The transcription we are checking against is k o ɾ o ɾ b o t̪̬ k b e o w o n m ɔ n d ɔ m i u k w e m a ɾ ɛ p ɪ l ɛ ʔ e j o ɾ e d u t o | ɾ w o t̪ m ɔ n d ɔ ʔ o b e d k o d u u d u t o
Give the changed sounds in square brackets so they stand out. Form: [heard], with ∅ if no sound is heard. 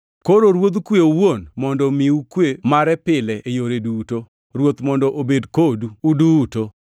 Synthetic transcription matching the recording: k o ɾ o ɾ [w] o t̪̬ k [w] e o w o n m ɔ n d ɔ m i u k w e m a ɾ ɛ p ɪ l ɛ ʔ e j o ɾ e d u t o | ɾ w o t̪ m ɔ n d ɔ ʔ o b e d k o d u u d u t o